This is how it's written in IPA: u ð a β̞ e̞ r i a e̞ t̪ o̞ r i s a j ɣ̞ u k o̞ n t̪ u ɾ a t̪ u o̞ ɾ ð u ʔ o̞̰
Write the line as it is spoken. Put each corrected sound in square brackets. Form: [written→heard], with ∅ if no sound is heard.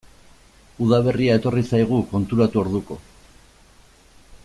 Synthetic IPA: u ð a β̞ e̞ r i a e̞ t̪ o̞ r i s a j ɣ̞ u k o̞ n t̪ u ɾ a t̪ u o̞ ɾ ð u [ʔ→k] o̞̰